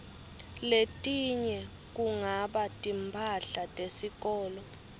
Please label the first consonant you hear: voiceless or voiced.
voiced